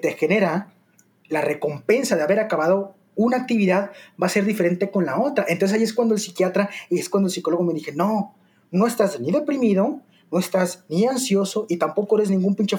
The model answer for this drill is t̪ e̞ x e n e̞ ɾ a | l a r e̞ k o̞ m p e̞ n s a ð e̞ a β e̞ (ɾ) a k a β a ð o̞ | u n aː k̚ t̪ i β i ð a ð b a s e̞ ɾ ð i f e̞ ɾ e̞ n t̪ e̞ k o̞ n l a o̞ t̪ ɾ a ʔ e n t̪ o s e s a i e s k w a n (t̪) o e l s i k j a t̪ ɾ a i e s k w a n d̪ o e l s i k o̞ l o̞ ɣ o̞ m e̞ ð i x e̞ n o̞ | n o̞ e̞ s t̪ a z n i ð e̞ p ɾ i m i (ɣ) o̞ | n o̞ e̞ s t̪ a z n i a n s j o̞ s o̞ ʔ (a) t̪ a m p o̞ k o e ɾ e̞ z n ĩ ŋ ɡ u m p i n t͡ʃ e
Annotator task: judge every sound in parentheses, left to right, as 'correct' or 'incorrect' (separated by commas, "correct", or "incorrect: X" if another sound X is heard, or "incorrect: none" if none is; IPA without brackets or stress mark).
correct, incorrect: d̪, incorrect: ð, incorrect: i